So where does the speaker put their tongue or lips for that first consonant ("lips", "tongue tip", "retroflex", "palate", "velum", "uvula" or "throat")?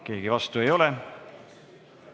velum